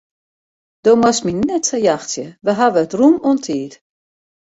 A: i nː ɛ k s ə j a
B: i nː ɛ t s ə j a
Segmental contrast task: B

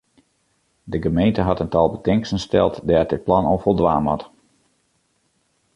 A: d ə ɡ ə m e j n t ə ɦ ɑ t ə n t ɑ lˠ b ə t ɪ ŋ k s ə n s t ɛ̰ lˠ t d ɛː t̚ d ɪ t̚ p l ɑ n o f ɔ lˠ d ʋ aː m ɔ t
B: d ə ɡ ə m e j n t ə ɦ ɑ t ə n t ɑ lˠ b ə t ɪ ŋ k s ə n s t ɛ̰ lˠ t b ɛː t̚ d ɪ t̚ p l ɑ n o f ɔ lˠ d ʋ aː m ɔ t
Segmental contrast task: A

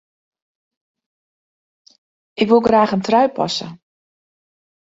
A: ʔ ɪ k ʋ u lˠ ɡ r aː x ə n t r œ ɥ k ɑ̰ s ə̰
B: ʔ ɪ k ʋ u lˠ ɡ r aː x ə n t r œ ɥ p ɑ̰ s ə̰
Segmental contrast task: B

